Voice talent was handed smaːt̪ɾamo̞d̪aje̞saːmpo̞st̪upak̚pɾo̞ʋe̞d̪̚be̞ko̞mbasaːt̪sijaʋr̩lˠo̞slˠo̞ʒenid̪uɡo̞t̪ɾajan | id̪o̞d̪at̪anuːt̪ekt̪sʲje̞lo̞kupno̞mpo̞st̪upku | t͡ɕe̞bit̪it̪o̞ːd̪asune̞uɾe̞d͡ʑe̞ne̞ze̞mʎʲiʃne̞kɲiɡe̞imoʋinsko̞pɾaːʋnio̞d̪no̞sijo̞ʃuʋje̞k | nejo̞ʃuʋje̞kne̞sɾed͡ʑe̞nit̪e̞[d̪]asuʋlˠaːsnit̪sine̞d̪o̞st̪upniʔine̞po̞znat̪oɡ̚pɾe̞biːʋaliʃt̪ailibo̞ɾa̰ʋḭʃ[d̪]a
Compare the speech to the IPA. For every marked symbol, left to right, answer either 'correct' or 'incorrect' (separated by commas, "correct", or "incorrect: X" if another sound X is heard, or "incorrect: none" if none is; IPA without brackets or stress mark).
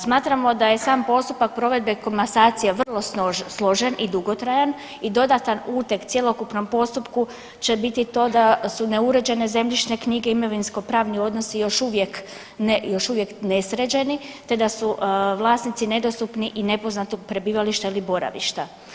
correct, incorrect: t̪